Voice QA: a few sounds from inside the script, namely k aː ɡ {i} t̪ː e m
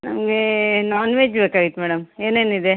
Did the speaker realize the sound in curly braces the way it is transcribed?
yes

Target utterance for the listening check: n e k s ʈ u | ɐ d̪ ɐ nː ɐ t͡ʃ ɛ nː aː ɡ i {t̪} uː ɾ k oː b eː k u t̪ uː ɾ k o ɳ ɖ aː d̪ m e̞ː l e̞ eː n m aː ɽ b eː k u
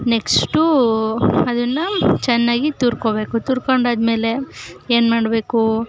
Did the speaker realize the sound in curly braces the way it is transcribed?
yes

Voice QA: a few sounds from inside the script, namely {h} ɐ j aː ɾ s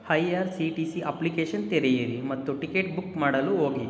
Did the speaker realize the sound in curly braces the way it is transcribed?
yes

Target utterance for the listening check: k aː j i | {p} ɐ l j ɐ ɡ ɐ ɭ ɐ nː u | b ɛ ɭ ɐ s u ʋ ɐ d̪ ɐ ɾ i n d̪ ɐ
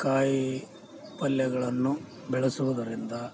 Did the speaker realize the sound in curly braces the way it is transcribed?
yes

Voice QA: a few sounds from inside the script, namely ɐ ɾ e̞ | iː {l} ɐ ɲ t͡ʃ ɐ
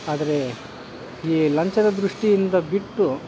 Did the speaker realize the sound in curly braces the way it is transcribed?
yes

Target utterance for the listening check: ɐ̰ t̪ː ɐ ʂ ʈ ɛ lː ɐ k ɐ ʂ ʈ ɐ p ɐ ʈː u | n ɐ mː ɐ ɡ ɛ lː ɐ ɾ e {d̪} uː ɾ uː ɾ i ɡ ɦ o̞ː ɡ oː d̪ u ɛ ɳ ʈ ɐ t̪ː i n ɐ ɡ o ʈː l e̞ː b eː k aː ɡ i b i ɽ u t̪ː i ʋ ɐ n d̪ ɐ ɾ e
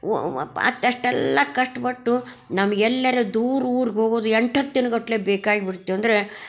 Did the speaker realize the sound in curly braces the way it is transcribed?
yes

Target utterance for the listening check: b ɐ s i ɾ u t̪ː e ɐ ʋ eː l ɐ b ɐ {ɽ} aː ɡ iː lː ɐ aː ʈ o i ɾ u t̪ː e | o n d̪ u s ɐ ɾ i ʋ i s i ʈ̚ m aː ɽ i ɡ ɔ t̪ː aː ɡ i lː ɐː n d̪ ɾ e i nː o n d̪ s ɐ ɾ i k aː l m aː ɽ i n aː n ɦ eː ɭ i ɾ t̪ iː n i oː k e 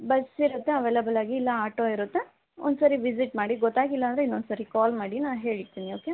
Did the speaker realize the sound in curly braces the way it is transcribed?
no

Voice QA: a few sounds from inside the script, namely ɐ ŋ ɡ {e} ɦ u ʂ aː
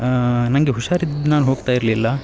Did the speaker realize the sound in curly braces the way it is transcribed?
yes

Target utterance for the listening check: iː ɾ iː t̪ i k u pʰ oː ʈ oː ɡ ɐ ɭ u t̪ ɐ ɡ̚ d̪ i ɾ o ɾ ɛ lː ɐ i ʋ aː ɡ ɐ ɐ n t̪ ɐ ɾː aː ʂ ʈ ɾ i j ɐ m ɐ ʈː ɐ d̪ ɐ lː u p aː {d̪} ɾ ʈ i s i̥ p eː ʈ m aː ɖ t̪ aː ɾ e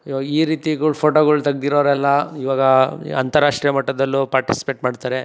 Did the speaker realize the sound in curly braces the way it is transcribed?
no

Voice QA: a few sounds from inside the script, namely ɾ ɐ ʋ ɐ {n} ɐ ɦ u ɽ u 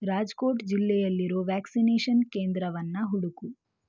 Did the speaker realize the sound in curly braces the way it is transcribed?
no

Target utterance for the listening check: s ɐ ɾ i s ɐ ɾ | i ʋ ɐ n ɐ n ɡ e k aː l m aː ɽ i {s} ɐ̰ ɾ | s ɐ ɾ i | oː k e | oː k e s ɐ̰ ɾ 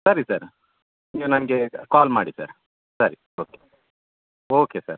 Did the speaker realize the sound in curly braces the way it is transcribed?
yes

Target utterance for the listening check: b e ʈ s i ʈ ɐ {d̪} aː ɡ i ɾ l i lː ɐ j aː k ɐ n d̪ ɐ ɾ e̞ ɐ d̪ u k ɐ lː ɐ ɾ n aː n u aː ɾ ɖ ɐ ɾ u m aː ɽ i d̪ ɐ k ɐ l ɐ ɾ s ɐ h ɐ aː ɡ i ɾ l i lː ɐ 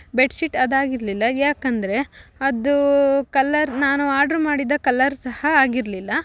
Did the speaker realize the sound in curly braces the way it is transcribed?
yes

